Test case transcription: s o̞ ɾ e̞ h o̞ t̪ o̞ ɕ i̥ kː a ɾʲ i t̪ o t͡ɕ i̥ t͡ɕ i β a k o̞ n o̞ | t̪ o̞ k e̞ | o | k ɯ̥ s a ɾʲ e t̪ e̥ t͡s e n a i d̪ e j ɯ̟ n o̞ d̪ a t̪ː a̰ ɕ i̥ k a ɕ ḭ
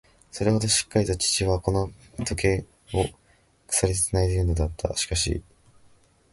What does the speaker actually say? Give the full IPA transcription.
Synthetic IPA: s o̞ ɾ e̞ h o̞ d̪ o̞ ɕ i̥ kː a ɾʲ i t̪ o t͡ɕ i̥ t͡ɕ i β a k o̞ n o̞ | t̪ o̞ k e̞ | o | k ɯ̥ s a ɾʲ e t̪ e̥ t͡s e n a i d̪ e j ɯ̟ n o̞ d̪ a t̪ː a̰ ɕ i̥ k a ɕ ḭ